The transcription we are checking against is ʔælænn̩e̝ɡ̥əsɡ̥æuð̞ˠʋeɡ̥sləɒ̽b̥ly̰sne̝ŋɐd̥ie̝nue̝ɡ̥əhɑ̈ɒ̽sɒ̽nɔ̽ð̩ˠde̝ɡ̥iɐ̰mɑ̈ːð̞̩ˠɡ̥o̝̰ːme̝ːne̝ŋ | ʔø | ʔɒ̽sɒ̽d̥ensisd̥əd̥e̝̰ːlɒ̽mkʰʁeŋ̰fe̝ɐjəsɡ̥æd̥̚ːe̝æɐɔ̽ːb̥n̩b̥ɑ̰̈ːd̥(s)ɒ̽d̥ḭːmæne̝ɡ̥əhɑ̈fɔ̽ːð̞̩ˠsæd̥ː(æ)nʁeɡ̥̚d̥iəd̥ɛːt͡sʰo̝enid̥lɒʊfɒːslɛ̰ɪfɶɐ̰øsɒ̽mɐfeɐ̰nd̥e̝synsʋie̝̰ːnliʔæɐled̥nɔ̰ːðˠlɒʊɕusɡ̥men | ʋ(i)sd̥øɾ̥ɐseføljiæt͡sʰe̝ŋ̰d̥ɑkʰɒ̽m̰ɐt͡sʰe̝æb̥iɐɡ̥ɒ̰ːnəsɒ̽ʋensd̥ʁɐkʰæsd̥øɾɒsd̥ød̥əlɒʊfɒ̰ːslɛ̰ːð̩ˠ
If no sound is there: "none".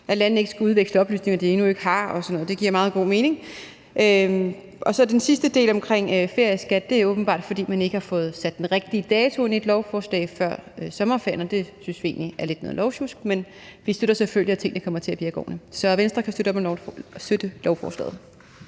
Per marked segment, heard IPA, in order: f, e, i

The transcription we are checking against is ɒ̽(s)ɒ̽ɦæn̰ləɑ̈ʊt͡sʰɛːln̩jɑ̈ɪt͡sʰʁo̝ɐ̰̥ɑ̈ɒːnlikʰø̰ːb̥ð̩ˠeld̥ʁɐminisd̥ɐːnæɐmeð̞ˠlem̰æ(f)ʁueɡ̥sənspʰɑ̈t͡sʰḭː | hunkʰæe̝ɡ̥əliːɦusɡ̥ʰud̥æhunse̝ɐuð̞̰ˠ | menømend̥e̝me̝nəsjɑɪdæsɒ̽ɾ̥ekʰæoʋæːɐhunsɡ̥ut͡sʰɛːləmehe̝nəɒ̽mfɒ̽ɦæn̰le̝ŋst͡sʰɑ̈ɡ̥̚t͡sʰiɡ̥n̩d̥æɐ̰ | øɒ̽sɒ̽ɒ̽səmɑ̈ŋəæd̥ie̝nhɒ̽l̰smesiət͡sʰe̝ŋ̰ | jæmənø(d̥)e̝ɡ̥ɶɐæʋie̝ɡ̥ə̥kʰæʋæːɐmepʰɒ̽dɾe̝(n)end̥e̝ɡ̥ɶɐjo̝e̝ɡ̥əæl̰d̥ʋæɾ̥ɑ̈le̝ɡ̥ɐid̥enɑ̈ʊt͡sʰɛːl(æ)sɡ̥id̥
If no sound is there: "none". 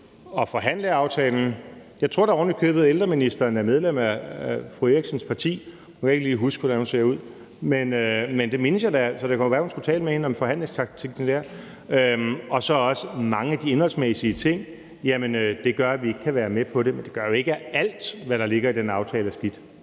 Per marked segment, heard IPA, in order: f, f, d̥, m, æ

